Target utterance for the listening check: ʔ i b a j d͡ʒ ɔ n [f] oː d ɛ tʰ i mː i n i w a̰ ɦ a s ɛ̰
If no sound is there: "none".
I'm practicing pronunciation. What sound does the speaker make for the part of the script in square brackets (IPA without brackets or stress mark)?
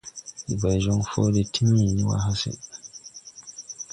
f